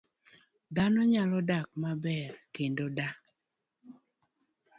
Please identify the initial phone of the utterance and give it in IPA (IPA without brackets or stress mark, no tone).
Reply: d̪